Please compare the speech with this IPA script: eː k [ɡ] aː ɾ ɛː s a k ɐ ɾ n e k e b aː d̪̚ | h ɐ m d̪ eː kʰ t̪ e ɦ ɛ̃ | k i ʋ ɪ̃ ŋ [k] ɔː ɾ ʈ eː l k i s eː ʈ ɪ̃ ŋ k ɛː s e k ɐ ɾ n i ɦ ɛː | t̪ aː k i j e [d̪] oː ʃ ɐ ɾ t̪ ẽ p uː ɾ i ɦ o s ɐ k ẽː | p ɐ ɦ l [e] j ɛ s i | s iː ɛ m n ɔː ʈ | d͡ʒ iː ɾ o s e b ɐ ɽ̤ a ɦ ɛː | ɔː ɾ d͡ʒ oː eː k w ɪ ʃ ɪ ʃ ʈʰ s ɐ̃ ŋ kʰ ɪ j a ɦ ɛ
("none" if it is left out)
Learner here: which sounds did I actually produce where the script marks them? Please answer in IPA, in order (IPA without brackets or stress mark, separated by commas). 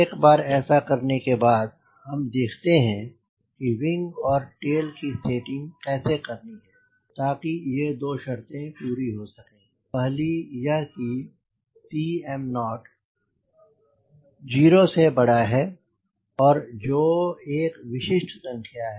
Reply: b, ɡ, d̪, i